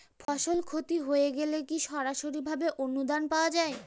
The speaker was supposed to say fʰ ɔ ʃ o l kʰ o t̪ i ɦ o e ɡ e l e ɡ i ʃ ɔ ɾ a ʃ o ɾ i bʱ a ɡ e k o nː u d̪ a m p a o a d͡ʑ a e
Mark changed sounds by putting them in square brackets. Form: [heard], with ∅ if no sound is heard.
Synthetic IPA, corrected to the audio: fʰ ɔ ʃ o l kʰ o t̪ i ɦ o e ɡ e l e [k] i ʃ ɔ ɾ a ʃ o ɾ i bʱ a [b] e [ʔ] o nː u d̪ a [n] p a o a d͡ʑ a e